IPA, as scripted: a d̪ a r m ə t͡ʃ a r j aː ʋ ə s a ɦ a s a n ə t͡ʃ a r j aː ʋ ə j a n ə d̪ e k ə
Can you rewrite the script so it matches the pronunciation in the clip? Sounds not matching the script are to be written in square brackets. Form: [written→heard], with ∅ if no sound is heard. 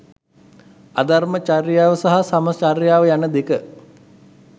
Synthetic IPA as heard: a d̪ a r m ə t͡ʃ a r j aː ʋ ə s a ɦ a s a [n→m] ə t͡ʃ a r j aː ʋ ə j a n ə d̪ e k ə